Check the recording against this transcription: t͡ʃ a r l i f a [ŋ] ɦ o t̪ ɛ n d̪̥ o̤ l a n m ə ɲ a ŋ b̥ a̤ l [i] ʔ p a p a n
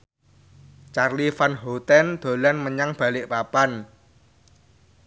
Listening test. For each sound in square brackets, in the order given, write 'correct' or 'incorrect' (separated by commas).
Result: incorrect, incorrect